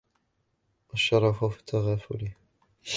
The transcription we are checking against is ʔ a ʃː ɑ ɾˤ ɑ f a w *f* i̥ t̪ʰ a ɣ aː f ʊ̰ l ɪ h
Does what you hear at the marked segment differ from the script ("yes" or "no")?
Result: no